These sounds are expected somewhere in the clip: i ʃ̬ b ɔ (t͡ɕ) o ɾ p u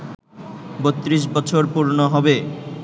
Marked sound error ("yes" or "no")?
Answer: yes